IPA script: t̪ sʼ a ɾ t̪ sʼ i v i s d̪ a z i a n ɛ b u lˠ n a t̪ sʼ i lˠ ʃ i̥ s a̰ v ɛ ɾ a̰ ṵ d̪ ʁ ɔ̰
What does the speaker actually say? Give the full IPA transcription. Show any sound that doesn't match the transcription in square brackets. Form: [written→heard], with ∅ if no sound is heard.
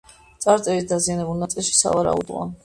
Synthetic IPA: t̪ sʼ a ɾ t̪ sʼ [i→ɛ] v i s d̪ a z i a n ɛ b u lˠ n a t̪ sʼ i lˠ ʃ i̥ s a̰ v [ɛ→a] ɾ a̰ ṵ d̪ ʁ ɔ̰